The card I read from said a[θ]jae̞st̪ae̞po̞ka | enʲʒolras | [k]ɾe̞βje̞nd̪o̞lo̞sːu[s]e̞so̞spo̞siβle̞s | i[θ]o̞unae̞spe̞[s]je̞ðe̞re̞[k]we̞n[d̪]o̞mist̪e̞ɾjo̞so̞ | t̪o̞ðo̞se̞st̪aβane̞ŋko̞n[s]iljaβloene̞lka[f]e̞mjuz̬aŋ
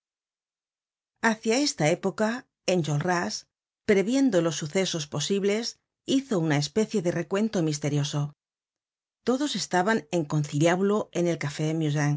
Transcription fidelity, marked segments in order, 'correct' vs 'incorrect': correct, incorrect: p, incorrect: θ, correct, incorrect: θ, correct, incorrect: t̪, incorrect: θ, correct

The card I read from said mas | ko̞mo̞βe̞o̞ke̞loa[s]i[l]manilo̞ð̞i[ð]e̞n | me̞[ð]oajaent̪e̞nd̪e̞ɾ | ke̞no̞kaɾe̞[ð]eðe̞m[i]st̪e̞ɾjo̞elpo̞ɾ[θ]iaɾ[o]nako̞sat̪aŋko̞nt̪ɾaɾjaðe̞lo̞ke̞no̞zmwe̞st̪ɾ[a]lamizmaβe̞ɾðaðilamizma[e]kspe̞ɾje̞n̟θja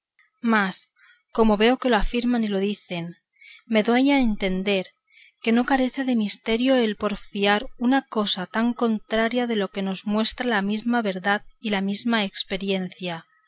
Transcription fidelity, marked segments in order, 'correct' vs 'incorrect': incorrect: f, incorrect: ɾ, incorrect: θ, correct, incorrect: θ, correct, incorrect: f, incorrect: u, correct, correct

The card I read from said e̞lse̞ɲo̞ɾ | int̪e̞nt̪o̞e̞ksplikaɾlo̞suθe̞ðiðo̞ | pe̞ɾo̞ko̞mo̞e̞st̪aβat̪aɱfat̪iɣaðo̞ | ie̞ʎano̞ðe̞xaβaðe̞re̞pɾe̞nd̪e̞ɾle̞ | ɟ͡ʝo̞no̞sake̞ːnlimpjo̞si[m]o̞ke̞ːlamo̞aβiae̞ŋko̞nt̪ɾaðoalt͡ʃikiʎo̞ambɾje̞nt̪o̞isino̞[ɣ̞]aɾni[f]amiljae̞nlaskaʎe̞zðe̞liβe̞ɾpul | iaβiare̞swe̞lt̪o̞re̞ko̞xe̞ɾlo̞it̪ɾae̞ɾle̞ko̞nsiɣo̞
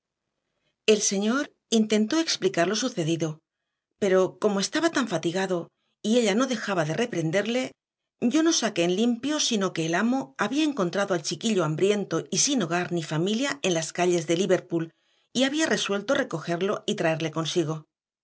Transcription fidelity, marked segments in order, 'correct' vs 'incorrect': incorrect: n, correct, correct

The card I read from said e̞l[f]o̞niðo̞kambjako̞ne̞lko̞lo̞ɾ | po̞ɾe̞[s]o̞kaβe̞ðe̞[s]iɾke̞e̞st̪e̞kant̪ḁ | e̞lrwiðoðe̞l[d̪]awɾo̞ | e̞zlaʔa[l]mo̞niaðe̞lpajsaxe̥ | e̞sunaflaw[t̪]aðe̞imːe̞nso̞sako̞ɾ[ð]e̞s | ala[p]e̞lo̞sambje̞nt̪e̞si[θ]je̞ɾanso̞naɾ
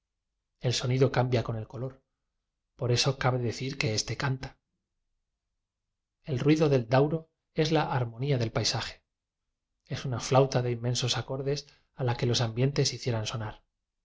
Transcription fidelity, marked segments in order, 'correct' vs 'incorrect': incorrect: s, correct, incorrect: θ, correct, incorrect: ɾ, correct, correct, incorrect: k, correct

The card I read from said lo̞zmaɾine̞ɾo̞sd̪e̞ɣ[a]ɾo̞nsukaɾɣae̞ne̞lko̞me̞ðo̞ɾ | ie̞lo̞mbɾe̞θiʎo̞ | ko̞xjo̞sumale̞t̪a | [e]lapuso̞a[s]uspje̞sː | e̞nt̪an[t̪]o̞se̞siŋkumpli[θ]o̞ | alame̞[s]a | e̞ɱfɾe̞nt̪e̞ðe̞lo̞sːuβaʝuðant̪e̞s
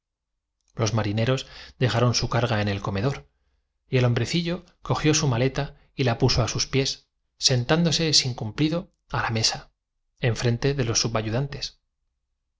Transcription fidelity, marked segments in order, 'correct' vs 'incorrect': correct, incorrect: i, correct, incorrect: d̪, incorrect: ð, correct

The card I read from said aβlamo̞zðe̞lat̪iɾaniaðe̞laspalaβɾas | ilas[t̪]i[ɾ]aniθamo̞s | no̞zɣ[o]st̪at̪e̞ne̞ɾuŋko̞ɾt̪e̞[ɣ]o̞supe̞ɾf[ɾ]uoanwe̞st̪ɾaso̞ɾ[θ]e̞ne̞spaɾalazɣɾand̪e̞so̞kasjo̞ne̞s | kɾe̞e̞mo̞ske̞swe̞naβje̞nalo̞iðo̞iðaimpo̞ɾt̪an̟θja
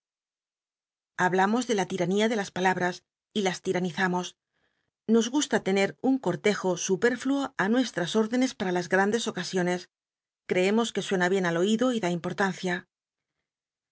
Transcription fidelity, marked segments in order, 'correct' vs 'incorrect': correct, correct, incorrect: u, incorrect: x, incorrect: l, incorrect: ð

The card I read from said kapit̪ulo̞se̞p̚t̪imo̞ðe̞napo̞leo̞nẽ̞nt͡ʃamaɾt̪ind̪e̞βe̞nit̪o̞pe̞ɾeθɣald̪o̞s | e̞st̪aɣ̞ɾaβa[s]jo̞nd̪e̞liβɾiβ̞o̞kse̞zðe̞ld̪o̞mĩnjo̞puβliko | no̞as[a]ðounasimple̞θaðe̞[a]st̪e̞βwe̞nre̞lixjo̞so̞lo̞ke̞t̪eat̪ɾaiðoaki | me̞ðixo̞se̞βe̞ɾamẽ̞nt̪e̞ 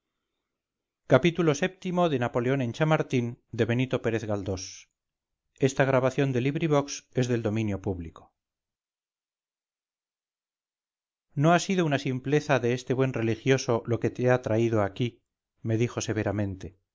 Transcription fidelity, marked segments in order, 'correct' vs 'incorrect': incorrect: θ, incorrect: i, incorrect: e

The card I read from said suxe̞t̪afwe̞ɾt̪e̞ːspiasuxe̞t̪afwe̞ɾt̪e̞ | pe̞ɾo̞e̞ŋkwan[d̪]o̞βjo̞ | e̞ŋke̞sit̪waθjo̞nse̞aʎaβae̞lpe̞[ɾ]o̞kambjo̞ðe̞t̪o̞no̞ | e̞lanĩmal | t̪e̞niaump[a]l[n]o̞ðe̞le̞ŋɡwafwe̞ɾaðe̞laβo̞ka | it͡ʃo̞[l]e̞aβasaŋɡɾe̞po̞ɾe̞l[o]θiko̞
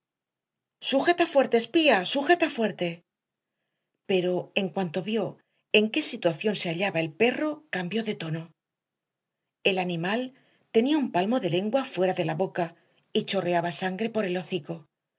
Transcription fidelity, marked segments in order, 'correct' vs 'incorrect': incorrect: t̪, incorrect: r, correct, incorrect: m, incorrect: r, correct

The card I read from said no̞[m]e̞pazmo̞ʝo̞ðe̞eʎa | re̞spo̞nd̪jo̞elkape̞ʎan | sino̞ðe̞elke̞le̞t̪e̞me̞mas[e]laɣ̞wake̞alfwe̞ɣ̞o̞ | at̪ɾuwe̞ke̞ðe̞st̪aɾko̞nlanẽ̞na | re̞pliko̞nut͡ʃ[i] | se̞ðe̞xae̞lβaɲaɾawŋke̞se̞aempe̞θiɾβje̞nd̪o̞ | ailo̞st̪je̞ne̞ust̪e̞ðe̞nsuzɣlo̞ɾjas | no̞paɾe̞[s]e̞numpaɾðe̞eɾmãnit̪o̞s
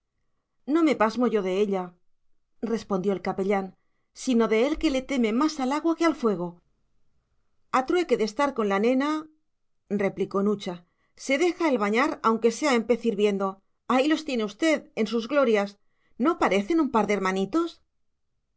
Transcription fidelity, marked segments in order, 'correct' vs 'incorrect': correct, incorrect: a, incorrect: a, incorrect: θ

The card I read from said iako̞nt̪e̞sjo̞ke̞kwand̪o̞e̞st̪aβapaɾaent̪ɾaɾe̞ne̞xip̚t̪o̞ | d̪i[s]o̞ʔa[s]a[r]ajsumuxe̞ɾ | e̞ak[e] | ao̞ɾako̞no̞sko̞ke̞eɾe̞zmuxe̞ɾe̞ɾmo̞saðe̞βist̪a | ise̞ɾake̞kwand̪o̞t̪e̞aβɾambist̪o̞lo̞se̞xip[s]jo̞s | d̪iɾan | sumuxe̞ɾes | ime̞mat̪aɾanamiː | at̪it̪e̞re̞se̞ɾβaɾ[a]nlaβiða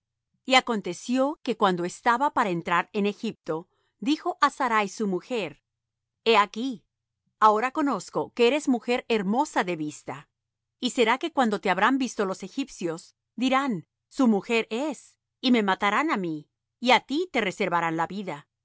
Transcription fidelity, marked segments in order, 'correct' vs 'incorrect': incorrect: x, correct, incorrect: ɾ, incorrect: i, correct, correct

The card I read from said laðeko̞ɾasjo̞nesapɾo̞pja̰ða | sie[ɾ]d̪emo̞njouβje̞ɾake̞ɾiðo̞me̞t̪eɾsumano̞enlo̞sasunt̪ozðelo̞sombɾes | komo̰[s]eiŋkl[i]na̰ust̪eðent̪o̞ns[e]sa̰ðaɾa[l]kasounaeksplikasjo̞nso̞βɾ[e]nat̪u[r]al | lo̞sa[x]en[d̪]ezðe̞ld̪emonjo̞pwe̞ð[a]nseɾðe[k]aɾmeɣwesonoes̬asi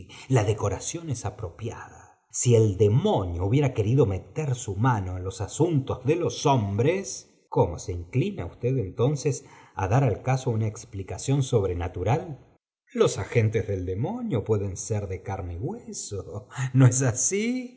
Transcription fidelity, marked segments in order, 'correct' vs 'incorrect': incorrect: l, correct, correct, correct, correct, correct, incorrect: ɾ, correct, incorrect: t̪, incorrect: e, correct

